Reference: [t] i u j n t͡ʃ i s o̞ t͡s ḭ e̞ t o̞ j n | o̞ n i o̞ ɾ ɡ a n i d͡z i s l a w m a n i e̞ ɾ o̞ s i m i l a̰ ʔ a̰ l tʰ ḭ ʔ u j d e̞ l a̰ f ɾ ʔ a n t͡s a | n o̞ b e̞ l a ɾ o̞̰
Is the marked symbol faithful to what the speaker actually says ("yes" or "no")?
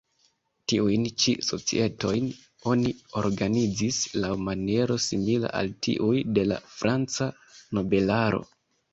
yes